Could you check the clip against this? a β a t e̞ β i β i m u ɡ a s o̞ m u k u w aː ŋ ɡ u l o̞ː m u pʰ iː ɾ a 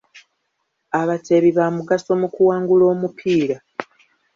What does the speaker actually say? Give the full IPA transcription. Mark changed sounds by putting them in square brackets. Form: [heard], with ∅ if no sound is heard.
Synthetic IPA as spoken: a β a t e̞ β i β [a] m u ɡ a s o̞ m u k u w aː ŋ ɡ u l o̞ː m u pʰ iː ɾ a